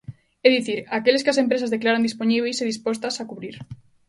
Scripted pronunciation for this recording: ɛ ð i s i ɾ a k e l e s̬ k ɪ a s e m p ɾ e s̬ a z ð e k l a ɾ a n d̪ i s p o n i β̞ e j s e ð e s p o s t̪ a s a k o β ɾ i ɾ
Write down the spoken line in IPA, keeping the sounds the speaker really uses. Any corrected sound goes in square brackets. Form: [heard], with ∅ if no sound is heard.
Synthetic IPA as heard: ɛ ð i [θ] i ɾ a k e l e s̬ k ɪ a s e m p ɾ e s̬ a z ð e k l a ɾ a n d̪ i s p o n i β̞ e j s e ð [i] s p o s t̪ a s a k [u] β ɾ i ɾ